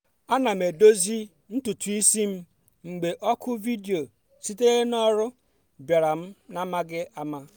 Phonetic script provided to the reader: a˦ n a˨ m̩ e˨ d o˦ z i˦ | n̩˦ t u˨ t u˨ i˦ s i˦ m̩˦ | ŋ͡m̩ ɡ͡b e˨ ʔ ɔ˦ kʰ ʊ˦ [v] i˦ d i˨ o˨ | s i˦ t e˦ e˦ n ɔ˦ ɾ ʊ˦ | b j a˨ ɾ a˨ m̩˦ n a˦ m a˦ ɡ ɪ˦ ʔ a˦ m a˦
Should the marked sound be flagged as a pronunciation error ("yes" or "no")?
no